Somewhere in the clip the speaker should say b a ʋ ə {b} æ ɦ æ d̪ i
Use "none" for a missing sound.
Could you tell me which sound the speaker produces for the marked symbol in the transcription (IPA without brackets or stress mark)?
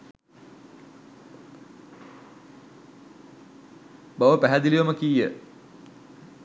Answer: p